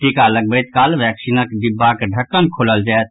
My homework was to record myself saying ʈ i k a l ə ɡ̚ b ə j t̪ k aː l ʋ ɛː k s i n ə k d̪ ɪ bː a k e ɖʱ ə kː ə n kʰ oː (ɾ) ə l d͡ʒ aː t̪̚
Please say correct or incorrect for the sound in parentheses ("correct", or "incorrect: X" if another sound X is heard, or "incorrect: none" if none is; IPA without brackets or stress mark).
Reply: incorrect: l